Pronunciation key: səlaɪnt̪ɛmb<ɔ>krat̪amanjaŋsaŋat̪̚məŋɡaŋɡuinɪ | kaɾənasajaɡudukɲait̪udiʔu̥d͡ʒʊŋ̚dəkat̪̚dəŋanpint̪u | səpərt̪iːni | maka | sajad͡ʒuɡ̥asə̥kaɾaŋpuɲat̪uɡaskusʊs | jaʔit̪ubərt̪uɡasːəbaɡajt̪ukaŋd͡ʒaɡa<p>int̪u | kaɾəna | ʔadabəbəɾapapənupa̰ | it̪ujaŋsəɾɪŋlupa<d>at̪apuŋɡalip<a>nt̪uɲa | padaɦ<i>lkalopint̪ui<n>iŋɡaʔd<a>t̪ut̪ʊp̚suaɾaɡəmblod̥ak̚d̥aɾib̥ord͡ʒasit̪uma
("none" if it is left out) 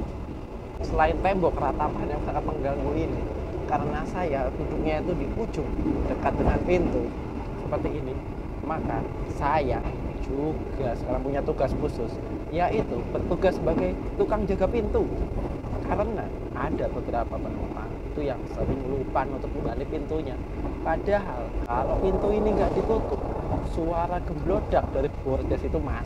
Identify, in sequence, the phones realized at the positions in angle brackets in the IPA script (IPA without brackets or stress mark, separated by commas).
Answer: ɔ, p, n, i, a, n, i